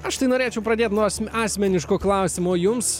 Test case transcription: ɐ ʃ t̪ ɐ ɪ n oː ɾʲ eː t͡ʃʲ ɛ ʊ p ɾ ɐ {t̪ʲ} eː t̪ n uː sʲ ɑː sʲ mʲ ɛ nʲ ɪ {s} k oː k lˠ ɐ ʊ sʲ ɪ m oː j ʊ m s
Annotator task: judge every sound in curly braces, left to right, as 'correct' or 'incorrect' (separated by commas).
incorrect, incorrect